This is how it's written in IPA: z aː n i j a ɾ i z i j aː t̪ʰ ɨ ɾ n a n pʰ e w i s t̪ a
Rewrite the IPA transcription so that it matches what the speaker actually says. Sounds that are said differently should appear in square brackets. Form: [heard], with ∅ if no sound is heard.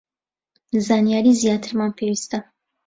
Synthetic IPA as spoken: z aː n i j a ɾ i z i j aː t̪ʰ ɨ ɾ [m] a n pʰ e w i s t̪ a